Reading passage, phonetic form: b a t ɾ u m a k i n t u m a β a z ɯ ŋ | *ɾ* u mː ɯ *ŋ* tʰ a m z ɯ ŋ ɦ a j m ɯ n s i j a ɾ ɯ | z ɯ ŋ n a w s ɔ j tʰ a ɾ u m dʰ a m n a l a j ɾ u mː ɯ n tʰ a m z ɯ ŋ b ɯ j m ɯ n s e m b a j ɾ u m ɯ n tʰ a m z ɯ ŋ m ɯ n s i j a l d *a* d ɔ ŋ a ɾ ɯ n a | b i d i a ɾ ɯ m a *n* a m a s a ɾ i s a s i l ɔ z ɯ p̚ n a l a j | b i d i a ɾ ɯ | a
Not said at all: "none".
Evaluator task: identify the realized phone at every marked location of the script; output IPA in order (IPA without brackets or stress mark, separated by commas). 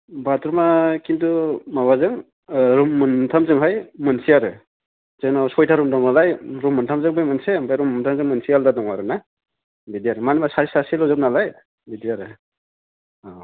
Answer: ɾ, n, a, n